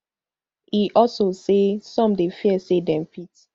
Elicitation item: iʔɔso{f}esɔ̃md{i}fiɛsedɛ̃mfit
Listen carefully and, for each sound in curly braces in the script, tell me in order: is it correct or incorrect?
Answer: incorrect: s, incorrect: e

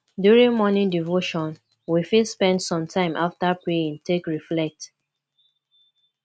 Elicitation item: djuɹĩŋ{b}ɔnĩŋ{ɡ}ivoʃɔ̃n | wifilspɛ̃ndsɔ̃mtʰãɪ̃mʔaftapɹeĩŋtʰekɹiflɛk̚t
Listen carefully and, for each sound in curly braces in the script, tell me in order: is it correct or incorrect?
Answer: incorrect: m, incorrect: d

